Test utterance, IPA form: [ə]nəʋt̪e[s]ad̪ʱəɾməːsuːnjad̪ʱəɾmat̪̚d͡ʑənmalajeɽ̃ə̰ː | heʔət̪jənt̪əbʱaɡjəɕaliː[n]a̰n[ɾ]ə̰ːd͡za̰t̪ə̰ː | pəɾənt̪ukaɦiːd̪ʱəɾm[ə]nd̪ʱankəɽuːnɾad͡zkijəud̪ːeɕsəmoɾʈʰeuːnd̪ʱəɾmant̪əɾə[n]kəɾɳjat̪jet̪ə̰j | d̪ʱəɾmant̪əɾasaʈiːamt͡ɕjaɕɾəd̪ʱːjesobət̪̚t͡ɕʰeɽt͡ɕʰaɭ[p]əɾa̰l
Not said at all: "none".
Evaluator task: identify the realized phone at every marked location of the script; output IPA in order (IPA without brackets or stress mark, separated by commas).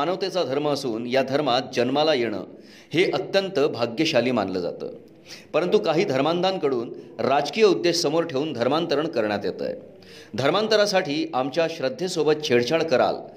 a, t͡s, m, l, a, ɳ, k